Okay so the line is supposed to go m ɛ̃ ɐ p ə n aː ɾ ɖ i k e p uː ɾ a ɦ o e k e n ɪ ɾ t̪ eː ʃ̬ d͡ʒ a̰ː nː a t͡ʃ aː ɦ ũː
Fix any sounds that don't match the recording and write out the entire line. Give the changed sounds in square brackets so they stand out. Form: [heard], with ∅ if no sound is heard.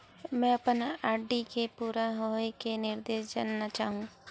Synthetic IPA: m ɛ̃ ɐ p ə n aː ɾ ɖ i k e p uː ɾ a ɦ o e k e n ɪ ɾ [d̪] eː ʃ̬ d͡ʒ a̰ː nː a t͡ʃ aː ɦ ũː